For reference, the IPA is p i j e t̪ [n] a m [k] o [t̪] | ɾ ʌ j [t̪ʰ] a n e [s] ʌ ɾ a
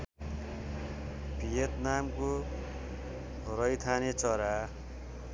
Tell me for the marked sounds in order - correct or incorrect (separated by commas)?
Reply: correct, correct, incorrect, correct, incorrect